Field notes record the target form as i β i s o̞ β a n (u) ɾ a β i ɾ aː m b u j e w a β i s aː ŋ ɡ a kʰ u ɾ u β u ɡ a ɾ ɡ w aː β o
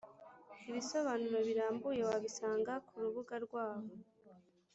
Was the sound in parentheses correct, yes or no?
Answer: yes